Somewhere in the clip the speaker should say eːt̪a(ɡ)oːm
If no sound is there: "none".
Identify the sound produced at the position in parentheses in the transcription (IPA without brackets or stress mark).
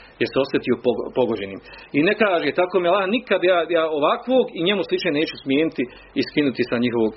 k